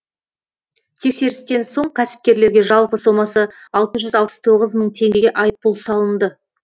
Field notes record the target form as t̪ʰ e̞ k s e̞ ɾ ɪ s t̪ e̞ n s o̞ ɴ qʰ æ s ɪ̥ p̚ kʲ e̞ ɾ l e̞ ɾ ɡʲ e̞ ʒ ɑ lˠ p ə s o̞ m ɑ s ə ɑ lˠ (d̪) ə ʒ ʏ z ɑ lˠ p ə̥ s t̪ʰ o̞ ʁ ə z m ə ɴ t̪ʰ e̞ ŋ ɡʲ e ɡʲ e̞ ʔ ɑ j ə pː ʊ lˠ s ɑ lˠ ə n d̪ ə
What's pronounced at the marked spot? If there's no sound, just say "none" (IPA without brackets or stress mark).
t̪